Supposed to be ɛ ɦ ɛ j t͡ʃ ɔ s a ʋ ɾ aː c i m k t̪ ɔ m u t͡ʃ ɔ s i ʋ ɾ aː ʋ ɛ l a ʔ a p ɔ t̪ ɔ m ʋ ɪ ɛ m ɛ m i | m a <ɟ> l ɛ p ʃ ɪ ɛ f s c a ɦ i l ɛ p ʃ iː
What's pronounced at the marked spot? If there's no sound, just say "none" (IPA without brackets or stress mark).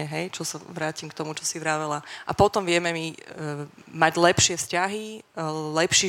ɟ